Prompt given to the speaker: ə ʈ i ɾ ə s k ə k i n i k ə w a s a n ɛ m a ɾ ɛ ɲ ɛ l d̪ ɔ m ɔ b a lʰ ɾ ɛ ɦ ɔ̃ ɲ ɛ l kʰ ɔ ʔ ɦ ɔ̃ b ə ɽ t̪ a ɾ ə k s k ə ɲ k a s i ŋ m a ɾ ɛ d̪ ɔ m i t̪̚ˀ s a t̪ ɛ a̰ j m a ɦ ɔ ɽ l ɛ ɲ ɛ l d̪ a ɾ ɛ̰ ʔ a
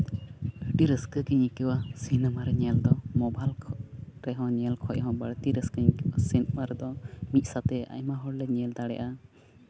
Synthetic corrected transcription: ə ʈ i ɾ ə s k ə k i ɲ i k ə w a s i n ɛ m a ɾ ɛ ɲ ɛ l d̪ ɔ m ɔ b a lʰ ɾ ɛ ɦ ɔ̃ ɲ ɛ l kʰ ɔ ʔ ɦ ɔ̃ b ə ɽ t̪ i ɾ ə s k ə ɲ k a s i n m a ɾ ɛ d̪ ɔ m i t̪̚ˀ s a t̪ ɛ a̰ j m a ɦ ɔ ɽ l ɛ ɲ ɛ l d̪ a ɽ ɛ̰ ʔ a